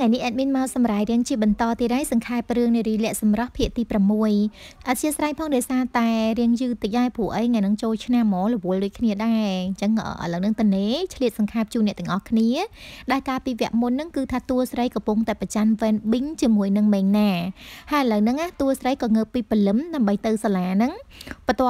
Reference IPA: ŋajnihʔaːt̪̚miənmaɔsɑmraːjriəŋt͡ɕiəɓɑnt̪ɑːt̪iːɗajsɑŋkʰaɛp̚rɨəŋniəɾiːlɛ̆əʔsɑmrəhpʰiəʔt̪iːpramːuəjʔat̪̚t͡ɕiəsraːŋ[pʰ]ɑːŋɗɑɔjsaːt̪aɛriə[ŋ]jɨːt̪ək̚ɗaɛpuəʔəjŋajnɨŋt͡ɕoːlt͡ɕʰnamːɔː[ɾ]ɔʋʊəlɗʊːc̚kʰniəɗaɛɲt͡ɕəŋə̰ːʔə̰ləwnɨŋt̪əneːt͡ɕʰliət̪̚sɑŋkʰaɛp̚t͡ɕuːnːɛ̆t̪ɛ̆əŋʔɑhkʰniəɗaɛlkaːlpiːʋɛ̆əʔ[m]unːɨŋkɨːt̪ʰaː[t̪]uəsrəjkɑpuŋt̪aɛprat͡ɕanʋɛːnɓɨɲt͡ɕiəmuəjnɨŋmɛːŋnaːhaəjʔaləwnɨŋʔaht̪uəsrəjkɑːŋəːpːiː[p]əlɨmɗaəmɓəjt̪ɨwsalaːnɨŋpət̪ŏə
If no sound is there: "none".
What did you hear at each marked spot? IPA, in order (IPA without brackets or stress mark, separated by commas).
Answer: pʰ, ŋ, l, m, t̪, p